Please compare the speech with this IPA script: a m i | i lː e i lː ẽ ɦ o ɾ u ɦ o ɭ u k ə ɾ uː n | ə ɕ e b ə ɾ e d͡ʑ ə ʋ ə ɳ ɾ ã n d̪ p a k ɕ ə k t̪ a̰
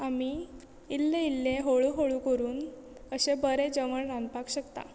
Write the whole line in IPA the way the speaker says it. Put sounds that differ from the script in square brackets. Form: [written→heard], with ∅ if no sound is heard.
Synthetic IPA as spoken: a m i | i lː e i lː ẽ ɦ o [ɾ→ɭ] u ɦ o ɭ u k ə ɾ uː n | ə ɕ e b ə ɾ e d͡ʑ ə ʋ ə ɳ ɾ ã n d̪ p a k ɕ ə k t̪ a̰